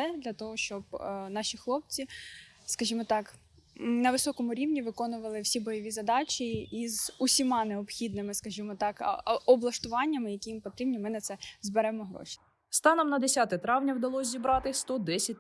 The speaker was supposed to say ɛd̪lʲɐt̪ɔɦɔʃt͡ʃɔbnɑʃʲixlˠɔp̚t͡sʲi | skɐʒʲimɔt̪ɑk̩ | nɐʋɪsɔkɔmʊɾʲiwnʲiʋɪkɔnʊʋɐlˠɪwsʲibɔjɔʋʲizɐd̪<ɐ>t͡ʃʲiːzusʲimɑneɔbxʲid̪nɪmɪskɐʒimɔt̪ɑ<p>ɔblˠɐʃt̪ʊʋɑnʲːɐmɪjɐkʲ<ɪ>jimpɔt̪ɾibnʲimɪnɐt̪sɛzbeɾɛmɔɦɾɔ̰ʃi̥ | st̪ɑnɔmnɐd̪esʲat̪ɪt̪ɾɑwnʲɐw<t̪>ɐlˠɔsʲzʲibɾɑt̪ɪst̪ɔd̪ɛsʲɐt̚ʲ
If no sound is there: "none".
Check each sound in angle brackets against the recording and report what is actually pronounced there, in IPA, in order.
ɑ, k, i, d̪

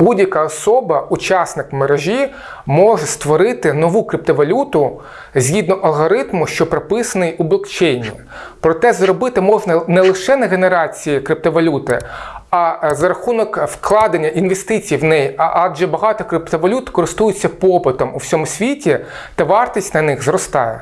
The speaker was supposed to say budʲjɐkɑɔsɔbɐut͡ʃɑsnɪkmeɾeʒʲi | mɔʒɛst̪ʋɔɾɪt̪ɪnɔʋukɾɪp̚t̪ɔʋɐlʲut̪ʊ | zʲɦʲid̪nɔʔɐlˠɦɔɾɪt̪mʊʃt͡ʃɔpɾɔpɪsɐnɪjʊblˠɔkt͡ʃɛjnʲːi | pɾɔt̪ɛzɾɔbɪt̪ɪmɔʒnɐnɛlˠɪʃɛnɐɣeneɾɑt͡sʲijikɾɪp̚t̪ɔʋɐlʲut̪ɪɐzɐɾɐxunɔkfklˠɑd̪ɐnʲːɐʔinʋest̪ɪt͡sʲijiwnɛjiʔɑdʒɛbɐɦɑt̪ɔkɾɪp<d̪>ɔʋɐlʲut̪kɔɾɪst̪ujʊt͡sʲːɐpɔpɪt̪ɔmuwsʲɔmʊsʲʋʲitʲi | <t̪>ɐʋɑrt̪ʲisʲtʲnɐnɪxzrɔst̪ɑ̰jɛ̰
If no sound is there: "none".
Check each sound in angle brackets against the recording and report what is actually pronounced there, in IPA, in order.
t̪, t̪

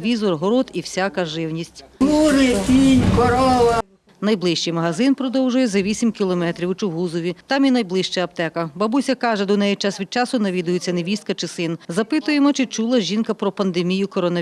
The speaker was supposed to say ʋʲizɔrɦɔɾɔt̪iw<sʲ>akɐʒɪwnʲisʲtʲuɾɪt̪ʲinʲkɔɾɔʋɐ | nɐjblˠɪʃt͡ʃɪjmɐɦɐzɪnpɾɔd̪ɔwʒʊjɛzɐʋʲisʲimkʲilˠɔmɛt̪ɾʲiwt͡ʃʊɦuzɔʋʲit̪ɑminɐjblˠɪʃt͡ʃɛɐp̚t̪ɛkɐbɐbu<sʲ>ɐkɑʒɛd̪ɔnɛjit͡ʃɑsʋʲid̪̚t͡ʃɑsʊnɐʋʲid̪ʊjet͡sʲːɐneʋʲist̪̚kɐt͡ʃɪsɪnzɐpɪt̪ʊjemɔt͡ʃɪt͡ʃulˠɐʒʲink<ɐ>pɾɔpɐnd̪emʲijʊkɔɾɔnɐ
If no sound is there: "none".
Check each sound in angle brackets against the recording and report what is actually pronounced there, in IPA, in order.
sʲ, sʲ, ɐ

